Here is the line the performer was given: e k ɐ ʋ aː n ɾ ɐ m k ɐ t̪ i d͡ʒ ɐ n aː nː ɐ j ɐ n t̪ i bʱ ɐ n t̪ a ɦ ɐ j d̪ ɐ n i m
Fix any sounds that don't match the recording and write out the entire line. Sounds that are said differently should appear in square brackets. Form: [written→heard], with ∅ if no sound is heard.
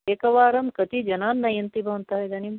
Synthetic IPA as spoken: e k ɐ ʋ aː [n→∅] ɾ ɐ m k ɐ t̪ i d͡ʒ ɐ n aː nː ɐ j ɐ n t̪ i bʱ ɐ n t̪ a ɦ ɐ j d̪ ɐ n i m

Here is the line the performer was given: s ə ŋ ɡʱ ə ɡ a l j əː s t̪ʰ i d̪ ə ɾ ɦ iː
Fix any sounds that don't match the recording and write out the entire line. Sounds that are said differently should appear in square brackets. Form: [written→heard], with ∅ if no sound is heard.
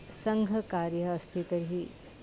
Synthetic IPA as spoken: s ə ŋ ɡʱ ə [ɡ→k] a [l→ɾ] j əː s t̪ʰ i [d̪→t̪] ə ɾ ɦ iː

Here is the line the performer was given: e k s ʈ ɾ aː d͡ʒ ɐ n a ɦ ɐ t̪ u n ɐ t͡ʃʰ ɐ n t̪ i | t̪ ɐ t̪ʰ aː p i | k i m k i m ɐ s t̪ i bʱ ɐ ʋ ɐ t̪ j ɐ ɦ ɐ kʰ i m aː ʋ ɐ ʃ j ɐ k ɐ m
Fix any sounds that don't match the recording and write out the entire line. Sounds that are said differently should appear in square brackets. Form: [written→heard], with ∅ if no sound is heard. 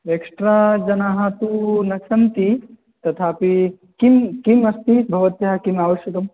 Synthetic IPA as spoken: e k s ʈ ɾ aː d͡ʒ ɐ n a ɦ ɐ t̪ u n ɐ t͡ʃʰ ɐ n t̪ i | t̪ ɐ t̪ʰ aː p i | k i m k i m ɐ s t̪ i bʱ ɐ ʋ ɐ t̪ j ɐ ɦ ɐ [kʰ→k] i m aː ʋ ɐ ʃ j ɐ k ɐ m

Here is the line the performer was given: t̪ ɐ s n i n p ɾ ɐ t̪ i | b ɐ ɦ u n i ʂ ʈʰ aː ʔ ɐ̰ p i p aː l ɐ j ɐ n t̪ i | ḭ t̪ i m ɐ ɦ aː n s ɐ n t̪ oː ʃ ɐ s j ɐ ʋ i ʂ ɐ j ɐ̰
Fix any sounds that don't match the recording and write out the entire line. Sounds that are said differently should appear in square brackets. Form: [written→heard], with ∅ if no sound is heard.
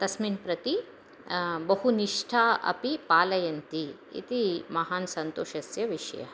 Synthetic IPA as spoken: t̪ ɐ s [n→m] i n p ɾ ɐ t̪ i | b ɐ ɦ u n i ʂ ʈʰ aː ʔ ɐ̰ p i p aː l ɐ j ɐ n t̪ i | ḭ t̪ i m ɐ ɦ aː n s ɐ n t̪ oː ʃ ɐ s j ɐ ʋ i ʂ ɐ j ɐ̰

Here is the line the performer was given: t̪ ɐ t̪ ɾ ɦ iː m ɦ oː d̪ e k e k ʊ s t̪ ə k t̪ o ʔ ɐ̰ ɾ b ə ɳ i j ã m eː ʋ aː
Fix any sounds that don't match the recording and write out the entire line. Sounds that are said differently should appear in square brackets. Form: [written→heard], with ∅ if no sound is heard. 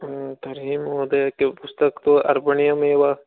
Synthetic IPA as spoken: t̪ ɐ [t̪→∅] ɾ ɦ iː m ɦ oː d̪ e k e [k→p] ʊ s t̪ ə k t̪ o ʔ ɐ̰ ɾ b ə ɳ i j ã m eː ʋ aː

